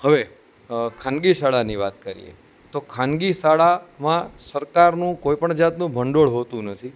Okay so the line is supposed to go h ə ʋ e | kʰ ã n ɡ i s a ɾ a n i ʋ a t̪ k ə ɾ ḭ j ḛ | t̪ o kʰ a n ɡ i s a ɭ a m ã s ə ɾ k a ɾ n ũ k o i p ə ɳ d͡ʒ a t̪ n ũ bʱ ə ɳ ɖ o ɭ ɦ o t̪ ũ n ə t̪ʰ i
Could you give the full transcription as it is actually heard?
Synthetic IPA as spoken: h ə ʋ e | kʰ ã n ɡ i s a ɭ a n i ʋ a t̪ k ə ɾ ḭ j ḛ | t̪ o kʰ a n ɡ i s a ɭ a m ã s ə ɾ k a ɾ n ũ k o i p ə ɳ d͡ʒ a t̪ n ũ bʱ ə ɳ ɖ o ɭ ɦ o t̪ ũ n ə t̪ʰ i